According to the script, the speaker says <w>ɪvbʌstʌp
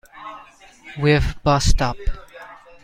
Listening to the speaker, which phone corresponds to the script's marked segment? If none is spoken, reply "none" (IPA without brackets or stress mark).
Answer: w